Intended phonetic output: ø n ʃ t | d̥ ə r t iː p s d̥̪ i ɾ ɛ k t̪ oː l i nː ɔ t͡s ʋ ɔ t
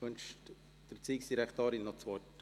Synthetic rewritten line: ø n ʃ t | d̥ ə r t͡s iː k s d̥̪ i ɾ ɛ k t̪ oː ɾ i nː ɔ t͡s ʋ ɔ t